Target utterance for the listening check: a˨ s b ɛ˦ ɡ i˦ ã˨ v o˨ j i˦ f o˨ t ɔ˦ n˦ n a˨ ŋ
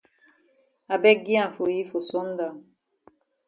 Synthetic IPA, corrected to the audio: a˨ b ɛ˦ ɡ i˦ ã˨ f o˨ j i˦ f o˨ s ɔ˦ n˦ d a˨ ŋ